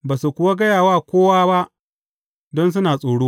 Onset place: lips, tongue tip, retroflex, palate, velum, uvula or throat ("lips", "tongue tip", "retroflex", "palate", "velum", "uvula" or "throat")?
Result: lips